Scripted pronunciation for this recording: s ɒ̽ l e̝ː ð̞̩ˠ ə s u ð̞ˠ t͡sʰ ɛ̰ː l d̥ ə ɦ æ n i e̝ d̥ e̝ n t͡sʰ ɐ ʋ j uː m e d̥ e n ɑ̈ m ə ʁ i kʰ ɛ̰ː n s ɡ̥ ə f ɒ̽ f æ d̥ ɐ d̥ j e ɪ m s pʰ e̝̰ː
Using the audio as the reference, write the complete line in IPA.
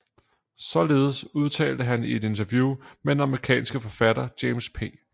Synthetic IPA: s ɒ̽ l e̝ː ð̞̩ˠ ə s u ð̞ˠ t͡sʰ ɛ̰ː l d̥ ə ɦ æ n i e̝ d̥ e̝ n t͡sʰ ɐ ʋ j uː m e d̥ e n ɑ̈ m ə ʁ i kʰ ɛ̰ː n s ɡ̥ ə f ɒ̽ f æ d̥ ɐ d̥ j e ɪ m s pʰ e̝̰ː

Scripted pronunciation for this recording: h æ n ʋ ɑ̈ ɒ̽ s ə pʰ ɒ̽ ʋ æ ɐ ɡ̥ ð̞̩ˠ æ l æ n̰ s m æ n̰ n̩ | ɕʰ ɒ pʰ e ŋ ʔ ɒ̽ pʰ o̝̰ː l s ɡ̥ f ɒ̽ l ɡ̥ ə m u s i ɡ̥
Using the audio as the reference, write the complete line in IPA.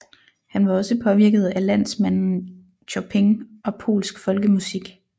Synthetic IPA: h æ n ʋ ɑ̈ ɒ̽ s ə pʰ ɒ̽ ʋ i ɐ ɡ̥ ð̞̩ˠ æ l æ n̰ s m æ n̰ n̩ | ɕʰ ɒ pʰ e ŋ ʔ ɒ̽ pʰ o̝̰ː l s ɡ̥ f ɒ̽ l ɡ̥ ə m u s i ɡ̥

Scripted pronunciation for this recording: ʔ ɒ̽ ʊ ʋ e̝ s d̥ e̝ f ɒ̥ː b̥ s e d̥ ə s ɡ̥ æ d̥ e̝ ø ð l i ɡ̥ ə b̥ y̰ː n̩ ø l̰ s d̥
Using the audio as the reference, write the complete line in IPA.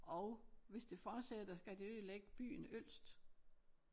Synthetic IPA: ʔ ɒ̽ ʊ ʋ e̝ s d̥ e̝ f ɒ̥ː s e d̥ ɐ s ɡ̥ æ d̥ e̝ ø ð l e ɡ̥ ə b̥ y̰ː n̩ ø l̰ s d̥

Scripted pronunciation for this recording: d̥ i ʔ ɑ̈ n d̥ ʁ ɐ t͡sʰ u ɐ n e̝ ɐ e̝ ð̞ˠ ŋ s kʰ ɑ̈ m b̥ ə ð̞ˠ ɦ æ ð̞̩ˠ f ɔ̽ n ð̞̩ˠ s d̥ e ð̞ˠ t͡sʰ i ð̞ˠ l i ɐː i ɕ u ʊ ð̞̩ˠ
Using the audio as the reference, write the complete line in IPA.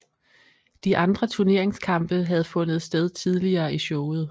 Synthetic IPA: d̥ i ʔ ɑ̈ n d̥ ʁ ɐ t͡sʰ u ɐ n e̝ ɐ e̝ ŋ s kʰ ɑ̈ m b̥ ə ɦ æ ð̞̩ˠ f ɔ̽ n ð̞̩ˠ s d̥ e ð̞ˠ t͡sʰ i ð̞ˠ l i ɐː i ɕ ɔ ʊ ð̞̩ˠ

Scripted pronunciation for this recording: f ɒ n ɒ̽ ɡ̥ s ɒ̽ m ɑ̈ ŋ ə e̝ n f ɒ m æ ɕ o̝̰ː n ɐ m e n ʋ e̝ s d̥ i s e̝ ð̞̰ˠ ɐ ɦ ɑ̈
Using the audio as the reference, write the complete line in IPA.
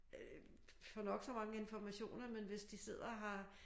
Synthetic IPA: f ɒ n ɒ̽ ɡ̥ s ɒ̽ m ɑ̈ ŋ ə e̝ n f ɒ m æ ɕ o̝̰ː n ɐ m e n ʋ e̝ s d̥ i s e̝ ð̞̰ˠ ɐ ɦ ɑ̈

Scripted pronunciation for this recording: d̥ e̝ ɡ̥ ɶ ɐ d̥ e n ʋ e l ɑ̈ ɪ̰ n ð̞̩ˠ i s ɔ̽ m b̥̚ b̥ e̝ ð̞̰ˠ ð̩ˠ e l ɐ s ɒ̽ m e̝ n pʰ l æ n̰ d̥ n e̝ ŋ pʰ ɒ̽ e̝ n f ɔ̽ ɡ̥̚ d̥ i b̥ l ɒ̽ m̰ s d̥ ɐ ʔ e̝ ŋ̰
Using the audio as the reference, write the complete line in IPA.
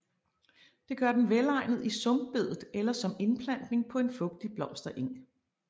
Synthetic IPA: d̥ e̝ ɡ̥ ɶ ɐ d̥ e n ʋ e l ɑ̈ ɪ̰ n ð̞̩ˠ i s ɔ̽ m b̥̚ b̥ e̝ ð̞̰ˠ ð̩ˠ e l ɐ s ɒ̽ m e̝ n pʰ l æ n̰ d̥ n e̝ ŋ pʰ ɒ̽ e̝ n f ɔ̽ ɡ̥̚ d̥ i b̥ l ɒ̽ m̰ s d̥ ɐ ʔ e̝ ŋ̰

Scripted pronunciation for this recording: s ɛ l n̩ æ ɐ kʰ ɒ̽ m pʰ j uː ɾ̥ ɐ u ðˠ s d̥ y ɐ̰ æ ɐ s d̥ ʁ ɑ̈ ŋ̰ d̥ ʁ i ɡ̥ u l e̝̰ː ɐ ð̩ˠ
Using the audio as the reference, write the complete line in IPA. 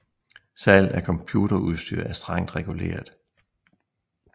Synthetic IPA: s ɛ l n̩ æ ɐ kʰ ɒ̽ m pʰ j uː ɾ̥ ɐ u ðˠ s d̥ y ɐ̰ æ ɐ s d̥ ʁ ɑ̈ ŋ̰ d̥ ʁ ɛ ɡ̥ u l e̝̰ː ɐ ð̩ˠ

